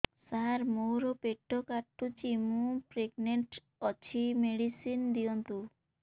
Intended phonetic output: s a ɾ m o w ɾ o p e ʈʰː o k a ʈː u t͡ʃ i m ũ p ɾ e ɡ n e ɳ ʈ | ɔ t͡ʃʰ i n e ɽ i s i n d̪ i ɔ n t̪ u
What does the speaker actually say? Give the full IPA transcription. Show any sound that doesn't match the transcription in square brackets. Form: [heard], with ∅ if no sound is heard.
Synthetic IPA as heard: s a ɾ m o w ɾ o p e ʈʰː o k a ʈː u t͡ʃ i m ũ p ɾ e ɡ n e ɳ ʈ | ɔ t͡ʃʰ i [m] e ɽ i s i n d̪ i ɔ n t̪ u